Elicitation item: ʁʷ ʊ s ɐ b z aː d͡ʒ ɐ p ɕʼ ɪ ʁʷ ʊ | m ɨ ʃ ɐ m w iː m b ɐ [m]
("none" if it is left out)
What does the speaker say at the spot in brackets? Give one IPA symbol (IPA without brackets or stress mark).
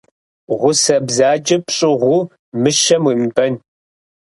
n